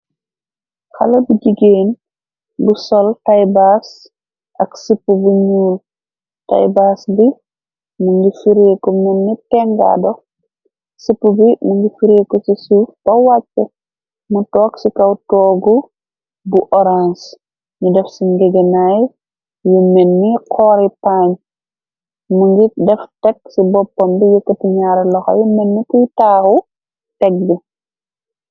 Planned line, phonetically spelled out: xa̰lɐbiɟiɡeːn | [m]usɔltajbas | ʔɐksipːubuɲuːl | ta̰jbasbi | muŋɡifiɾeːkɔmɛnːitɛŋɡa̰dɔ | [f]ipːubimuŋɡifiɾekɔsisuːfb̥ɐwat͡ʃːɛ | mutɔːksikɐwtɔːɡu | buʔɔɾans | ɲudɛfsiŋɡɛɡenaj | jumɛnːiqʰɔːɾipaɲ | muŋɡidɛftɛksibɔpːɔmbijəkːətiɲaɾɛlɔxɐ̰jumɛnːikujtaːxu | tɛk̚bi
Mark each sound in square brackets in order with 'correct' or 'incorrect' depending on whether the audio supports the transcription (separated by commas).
incorrect, incorrect